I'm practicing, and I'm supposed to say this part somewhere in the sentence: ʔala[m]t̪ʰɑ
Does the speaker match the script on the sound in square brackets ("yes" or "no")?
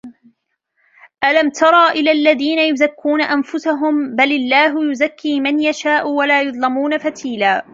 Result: yes